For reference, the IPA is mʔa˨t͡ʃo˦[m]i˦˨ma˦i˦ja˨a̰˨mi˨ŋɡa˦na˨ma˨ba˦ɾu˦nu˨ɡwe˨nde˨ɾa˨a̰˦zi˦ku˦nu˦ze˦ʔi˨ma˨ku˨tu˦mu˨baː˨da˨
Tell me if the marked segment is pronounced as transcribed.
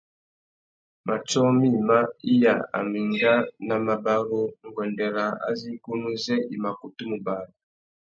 yes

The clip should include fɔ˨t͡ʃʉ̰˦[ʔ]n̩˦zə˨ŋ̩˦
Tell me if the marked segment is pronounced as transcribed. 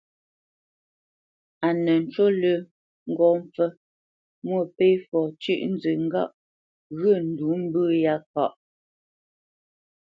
yes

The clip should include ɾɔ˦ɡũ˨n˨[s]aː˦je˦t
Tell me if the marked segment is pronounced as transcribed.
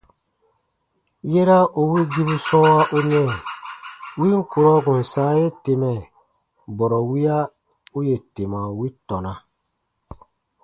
yes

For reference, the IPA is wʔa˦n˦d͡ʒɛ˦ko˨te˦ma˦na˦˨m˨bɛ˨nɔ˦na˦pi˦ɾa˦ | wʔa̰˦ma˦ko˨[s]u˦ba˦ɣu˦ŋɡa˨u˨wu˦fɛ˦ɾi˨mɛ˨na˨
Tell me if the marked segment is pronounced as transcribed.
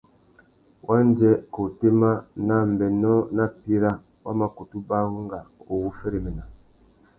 no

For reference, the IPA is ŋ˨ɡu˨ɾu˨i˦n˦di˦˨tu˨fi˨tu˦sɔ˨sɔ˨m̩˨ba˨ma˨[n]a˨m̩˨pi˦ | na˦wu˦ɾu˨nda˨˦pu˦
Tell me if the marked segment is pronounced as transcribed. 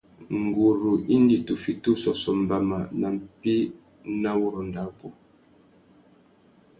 yes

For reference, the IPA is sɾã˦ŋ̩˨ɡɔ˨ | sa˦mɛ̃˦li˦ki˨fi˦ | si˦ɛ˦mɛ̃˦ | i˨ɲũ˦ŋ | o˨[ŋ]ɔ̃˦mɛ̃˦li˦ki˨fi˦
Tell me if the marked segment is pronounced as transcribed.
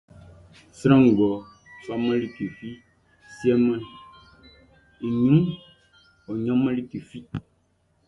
no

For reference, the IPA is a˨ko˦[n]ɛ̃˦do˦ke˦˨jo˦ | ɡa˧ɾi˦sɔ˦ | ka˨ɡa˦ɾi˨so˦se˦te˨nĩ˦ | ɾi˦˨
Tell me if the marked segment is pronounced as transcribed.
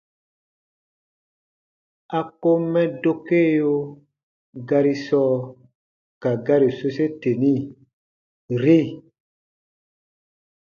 no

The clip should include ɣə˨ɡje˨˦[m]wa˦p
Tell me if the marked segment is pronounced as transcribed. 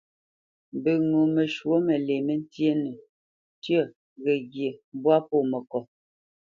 no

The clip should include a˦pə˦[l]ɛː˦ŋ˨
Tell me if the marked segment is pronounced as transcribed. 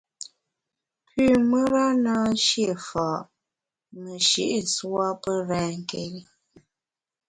no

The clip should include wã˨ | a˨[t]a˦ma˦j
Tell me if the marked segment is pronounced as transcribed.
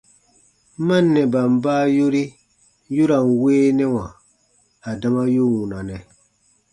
no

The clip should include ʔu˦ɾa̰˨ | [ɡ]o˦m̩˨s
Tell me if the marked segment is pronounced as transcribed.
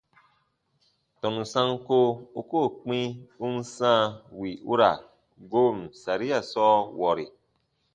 yes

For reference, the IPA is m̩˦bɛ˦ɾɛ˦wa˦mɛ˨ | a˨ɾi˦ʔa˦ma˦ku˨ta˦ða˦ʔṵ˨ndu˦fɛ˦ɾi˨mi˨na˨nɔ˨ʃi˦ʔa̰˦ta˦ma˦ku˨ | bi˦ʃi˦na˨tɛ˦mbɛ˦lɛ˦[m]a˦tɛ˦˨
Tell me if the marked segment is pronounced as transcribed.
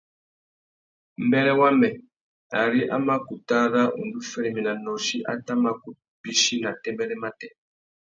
yes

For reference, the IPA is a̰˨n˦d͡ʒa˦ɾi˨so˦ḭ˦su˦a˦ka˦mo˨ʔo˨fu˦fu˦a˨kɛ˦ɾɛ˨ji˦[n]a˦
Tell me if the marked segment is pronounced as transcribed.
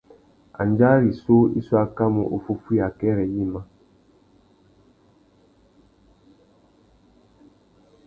no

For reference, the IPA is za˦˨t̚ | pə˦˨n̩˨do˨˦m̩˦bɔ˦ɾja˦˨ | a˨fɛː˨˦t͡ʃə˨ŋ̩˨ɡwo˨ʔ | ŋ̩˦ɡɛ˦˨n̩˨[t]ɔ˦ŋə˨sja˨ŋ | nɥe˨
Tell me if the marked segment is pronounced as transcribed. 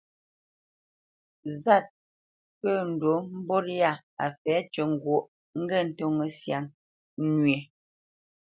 yes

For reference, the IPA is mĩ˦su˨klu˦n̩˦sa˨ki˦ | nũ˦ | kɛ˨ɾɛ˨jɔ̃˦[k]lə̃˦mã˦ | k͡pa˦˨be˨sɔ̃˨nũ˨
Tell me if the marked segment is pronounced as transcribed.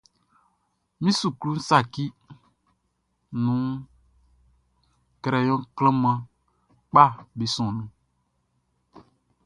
yes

